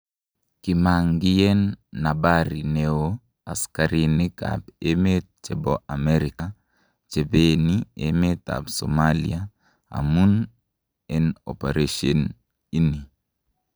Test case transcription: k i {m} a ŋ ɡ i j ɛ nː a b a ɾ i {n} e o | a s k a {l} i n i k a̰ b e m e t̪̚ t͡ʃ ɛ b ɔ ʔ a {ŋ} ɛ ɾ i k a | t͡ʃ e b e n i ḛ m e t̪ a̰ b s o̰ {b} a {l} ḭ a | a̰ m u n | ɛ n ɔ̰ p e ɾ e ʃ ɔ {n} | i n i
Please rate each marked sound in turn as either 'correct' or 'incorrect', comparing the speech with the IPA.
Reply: correct, correct, incorrect, incorrect, incorrect, correct, correct

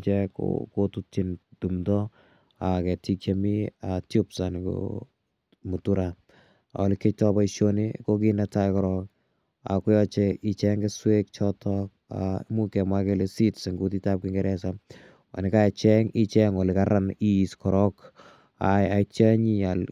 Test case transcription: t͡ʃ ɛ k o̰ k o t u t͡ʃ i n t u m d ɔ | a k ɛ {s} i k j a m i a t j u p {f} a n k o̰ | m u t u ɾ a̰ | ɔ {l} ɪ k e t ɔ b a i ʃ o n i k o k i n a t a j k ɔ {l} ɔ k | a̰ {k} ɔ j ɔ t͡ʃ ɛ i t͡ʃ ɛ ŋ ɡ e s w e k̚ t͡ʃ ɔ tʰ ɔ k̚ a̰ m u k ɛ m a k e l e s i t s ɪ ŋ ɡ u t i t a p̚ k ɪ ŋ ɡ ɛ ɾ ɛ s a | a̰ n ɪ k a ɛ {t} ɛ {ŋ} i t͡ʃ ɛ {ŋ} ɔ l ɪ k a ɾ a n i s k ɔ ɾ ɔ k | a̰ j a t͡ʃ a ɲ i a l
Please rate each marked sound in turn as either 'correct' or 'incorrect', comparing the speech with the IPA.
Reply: incorrect, incorrect, correct, incorrect, correct, incorrect, correct, correct

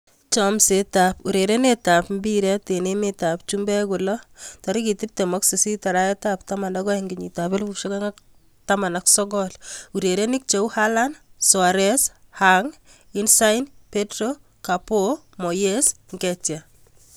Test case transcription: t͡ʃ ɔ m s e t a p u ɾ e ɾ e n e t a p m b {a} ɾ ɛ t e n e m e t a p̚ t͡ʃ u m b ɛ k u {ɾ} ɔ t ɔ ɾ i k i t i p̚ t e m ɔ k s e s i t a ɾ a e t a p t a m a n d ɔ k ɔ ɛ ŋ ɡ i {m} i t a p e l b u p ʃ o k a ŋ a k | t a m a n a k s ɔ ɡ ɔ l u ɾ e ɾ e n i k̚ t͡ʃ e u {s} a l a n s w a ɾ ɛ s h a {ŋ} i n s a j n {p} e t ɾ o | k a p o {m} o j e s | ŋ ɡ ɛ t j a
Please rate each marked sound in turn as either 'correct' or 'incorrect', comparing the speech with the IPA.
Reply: incorrect, incorrect, incorrect, incorrect, correct, correct, correct

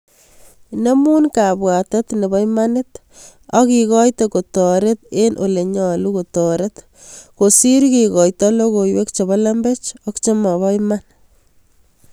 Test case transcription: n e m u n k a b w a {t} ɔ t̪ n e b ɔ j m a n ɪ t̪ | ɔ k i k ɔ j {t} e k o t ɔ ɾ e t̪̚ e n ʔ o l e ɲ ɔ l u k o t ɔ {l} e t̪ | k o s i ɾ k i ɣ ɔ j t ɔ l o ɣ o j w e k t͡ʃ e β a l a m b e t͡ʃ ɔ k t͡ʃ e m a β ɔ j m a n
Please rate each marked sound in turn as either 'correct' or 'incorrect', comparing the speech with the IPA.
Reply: correct, correct, incorrect

